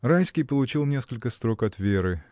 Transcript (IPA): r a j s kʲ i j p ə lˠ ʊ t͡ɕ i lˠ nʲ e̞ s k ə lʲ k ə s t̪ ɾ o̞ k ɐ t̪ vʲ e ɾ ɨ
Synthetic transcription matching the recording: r a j s kʲ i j p ə lˠ ʊ t͡ɕ i lˠ nʲ e̞ s k ə lʲ k ə s t̪ ɾ o̞ k ɐ t̪ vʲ e ɾ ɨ

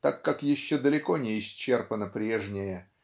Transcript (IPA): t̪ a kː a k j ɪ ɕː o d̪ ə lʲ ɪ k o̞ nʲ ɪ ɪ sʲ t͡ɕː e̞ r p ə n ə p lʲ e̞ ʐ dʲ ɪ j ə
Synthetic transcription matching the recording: t̪ a kː a k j ɪ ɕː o d̪ ə lʲ ɪ k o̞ nʲ ɪ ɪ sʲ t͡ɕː e̞ r p ə n ə p ɾʲ e̞ ʐ nʲ ɪ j ə

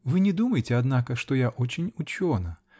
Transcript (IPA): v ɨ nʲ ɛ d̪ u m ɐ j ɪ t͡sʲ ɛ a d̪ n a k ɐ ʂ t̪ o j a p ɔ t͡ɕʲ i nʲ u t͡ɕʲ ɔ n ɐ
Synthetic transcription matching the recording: v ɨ nʲ ɛ d̪ u m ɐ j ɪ t͡sʲ ɛ a d̪ n a k ɐ ʂ t̪ ɔ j a ʔ ɔ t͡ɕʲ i nʲ u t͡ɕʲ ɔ n ɐ

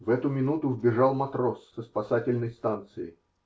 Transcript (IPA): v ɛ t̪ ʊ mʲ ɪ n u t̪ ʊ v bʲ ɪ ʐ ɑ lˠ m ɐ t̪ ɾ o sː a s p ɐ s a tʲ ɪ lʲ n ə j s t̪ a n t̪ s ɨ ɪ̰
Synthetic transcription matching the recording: v ɛ t̪ ʊ mʲ ɪ n u t̪ ʊ v bʲ ɪ ʐ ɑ lˠ m ɐ t̪ ɾ o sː ə s p ɐ s a tʲ ɪ lʲ n ə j s t̪ a n t̪ s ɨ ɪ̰

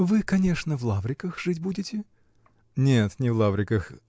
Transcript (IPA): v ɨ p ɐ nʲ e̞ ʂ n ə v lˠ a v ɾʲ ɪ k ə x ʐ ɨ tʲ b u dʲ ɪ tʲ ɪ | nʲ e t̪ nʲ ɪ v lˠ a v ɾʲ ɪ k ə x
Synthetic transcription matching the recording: v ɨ k ɐ nʲ e̞ ʂ n ə v lˠ a v ɾʲ ɪ k ə x ʐ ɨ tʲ b u dʲ ɪ tʲ ɪ | nʲ e t̪ nʲ ɪ v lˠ a v ɾʲ ɪ k ə x

